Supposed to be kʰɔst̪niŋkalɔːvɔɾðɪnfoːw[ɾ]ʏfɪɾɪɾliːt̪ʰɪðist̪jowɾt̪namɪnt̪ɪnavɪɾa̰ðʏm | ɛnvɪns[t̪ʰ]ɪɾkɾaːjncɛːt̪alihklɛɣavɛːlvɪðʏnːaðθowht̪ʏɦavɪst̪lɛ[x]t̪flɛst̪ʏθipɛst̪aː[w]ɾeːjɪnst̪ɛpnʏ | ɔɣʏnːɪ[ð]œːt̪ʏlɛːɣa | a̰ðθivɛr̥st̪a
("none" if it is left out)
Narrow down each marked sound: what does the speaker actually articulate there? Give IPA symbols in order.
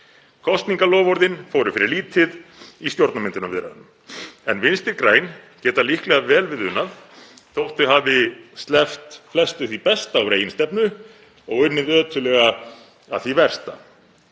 ɾ, t̪, f, w, ð

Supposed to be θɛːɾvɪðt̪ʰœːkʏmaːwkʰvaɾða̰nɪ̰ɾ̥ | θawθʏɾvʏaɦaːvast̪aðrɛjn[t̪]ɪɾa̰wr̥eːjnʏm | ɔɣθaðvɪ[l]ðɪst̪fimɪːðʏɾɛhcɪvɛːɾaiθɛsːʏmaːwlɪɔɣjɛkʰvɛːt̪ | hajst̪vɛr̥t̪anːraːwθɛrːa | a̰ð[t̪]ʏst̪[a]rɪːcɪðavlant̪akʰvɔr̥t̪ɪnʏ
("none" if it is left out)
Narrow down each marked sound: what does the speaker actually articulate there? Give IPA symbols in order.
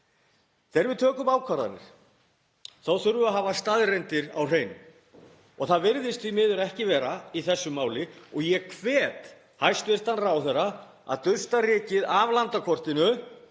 t̪, ɾ, t̪, a

